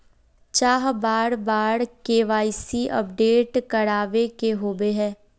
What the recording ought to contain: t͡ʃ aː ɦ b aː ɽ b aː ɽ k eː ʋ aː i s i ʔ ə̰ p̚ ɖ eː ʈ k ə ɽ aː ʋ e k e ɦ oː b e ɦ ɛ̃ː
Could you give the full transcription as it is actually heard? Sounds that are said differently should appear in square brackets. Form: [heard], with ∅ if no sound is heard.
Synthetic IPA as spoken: t͡ʃ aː ɦ b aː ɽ b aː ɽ k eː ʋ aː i s i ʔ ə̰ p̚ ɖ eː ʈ k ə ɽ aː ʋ e k e ɦ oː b e ɦ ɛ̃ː